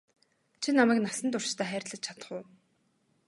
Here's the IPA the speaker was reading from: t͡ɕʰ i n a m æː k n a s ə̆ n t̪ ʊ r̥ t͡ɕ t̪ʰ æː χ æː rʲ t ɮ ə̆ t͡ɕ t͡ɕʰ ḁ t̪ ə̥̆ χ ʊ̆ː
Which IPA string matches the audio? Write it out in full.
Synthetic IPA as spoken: t͡ɕʰ i n a m æː k n a s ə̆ n t̪ ʊ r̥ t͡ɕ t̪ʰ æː χ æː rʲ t ɮ ə̆ t͡ɕ t͡ɕʰ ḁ t̪ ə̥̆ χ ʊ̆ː